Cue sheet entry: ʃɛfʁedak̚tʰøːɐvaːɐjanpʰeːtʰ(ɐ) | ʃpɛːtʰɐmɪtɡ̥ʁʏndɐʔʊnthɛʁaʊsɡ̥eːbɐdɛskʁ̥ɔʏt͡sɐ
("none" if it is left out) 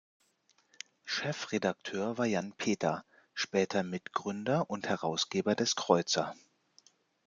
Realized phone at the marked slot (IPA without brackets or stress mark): ɐ